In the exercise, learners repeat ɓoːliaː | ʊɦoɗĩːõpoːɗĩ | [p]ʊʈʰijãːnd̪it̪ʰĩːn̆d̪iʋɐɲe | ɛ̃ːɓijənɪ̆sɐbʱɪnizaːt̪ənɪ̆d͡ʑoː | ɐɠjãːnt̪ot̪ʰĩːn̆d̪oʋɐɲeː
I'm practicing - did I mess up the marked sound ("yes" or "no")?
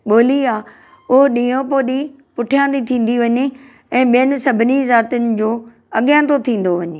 no